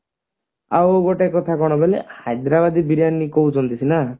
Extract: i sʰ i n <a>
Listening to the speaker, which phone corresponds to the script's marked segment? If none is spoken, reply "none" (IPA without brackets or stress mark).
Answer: a